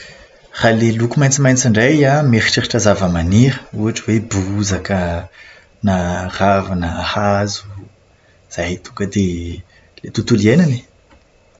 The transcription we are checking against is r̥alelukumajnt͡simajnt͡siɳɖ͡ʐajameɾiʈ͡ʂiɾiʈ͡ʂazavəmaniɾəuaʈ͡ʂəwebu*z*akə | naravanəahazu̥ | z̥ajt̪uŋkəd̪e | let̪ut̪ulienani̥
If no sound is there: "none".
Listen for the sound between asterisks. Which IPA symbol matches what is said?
z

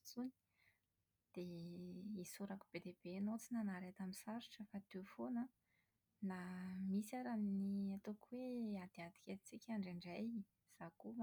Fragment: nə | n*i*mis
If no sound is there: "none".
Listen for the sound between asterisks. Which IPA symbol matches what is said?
a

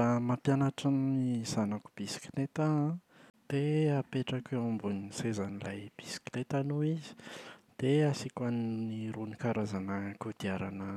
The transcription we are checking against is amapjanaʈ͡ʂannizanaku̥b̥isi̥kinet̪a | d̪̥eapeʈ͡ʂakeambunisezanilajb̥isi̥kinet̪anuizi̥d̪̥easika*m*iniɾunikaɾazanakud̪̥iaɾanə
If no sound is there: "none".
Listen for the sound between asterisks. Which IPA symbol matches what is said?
n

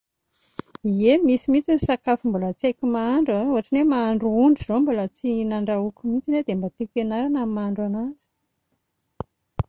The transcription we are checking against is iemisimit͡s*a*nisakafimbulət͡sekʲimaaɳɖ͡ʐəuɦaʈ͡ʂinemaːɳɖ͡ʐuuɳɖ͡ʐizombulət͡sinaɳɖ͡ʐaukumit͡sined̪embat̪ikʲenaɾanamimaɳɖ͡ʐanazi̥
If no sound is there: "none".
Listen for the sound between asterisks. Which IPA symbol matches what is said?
i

